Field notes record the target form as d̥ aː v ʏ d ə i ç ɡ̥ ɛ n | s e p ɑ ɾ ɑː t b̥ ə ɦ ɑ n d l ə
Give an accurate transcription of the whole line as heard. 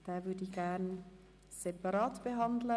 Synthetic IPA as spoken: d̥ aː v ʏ d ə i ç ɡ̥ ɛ n | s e p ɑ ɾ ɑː t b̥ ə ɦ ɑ n d l ə